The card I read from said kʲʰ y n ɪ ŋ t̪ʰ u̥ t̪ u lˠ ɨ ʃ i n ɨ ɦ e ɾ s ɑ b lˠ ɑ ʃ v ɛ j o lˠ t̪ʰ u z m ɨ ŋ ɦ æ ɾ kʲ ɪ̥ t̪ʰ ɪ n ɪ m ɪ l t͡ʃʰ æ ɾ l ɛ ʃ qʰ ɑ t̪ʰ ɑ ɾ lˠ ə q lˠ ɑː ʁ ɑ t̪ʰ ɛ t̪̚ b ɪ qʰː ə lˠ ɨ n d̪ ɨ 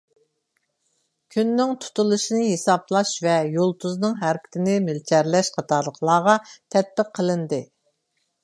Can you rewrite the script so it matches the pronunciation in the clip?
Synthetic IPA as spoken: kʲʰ y nː ɪ ŋ t̪ʰ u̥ t̪ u lˠ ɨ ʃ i n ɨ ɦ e s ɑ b lˠ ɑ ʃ v ɛ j o lˠ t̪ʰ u z n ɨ ŋ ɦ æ ɾ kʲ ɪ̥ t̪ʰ ɪ n ɪ m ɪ l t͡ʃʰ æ ɾ l ɛ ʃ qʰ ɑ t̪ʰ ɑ ɾ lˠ ə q lˠ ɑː ʁ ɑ t̪ʰ ɛ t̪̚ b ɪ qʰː ə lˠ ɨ n d̪ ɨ